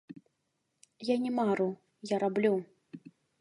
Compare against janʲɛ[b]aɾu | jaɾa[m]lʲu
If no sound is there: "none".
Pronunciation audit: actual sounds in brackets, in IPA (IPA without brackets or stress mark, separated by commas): m, b